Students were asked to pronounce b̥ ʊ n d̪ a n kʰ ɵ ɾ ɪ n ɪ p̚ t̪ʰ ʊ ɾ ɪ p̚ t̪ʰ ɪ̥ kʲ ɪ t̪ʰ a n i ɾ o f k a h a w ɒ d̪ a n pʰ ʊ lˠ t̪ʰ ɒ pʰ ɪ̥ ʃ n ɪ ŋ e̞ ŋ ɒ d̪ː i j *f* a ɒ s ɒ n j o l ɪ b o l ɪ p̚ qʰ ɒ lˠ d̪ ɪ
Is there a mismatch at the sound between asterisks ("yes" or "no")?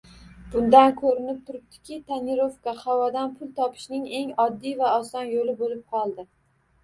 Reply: yes